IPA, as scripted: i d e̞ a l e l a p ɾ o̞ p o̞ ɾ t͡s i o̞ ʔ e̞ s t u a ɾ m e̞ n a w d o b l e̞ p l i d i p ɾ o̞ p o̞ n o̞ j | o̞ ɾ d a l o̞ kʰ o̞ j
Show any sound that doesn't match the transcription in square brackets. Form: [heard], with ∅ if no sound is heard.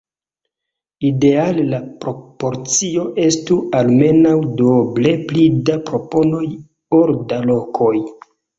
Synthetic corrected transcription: i d e̞ a l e l a p ɾ o̞ p o̞ ɾ t͡s i o̞ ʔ e̞ s t u a [l] m e̞ n a w d o b l e̞ p l i d [a] p ɾ o̞ p o̞ n o̞ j | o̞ ɾ d a l o̞ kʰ o̞ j